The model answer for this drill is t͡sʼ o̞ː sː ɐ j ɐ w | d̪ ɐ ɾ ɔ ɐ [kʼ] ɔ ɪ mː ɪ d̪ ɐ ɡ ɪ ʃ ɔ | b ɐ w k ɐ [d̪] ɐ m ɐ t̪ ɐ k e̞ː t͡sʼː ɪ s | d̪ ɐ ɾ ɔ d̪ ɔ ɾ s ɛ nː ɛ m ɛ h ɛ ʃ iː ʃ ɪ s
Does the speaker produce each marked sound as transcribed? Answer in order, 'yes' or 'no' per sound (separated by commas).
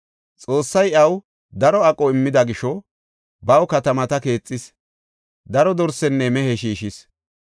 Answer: yes, no